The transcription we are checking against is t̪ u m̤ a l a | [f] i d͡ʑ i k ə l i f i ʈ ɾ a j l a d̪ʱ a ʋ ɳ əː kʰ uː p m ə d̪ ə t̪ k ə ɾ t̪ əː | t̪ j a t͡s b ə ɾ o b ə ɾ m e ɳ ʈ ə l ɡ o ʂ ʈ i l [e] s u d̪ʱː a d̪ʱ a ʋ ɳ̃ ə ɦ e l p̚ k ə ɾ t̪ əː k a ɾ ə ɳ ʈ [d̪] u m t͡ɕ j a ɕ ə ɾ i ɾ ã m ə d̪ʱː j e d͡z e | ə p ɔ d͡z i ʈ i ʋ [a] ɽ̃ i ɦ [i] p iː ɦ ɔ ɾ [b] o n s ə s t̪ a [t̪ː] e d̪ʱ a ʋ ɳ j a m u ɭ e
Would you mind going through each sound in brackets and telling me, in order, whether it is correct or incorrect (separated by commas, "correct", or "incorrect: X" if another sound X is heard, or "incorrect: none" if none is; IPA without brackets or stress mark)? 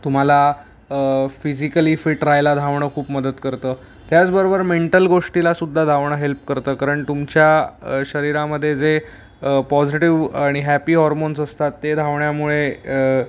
correct, incorrect: a, incorrect: t̪, correct, incorrect: æ, incorrect: m, correct